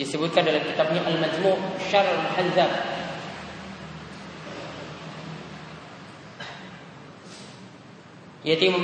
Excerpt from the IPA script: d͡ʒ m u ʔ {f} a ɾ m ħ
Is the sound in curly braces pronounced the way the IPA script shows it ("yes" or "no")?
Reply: no